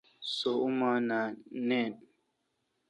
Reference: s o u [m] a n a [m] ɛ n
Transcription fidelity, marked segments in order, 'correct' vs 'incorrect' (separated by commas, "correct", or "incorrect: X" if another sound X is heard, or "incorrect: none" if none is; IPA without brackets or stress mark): correct, incorrect: n